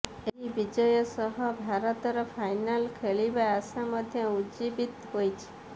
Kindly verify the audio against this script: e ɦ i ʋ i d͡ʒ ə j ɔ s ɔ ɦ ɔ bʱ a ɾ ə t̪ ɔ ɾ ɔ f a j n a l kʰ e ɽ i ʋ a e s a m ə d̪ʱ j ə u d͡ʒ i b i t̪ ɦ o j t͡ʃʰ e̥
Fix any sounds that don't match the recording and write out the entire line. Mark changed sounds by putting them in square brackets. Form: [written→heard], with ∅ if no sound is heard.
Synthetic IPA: e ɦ i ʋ i d͡ʒ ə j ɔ s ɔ ɦ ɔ bʱ a ɾ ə t̪ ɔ ɾ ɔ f a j n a l kʰ e [ɽ→ɭ] i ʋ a [e→a] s a m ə d̪ʱ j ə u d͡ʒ i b i t̪ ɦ o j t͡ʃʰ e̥